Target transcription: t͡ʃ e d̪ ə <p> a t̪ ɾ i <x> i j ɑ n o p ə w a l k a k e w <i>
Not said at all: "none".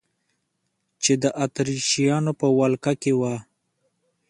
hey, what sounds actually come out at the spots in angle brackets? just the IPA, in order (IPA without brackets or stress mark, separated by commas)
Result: ʔ, ʃ, a